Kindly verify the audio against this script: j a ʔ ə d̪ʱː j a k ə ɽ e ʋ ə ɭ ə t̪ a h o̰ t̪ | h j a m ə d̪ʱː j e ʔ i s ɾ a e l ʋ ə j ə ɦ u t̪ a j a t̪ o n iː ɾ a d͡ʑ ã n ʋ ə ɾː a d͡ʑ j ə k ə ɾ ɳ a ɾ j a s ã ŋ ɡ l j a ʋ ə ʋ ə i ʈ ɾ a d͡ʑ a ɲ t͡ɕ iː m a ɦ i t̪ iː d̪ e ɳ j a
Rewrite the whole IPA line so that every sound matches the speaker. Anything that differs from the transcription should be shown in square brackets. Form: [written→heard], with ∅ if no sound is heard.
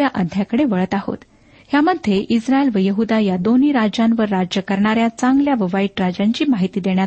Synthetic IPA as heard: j a ʔ ə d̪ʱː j a k ə ɽ e ʋ ə ɭ ə t̪ a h o̰ t̪ | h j a m ə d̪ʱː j e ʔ i s ɾ a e l ʋ ə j ə ɦ u [t̪→d̪] a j a [t̪→d̪] o n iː ɾ a d͡ʑ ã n ʋ ə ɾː a d͡ʑ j ə k ə ɾ ɳ a ɾ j a [s→t͡s] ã ŋ ɡ l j a ʋ ə ʋ [ə→a] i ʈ ɾ a d͡ʑ a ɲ t͡ɕ iː m a ɦ i t̪ iː d̪ e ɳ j a